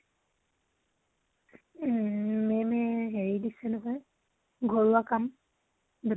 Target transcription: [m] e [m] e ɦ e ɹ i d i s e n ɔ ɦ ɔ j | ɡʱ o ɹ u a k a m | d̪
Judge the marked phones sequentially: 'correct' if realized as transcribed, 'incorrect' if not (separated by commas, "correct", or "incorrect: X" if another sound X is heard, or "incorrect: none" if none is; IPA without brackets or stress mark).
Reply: correct, correct